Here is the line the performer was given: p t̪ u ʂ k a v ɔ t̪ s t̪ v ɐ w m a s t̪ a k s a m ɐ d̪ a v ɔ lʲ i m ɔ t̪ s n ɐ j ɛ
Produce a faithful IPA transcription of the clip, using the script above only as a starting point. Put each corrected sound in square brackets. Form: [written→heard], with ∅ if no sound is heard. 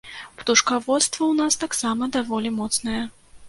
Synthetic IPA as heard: p t̪ u ʂ k a v ɔ t̪ s t̪ v ɐ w [m→n] a s t̪ a k s a m ɐ d̪ a v ɔ lʲ i m ɔ t̪ s n ɐ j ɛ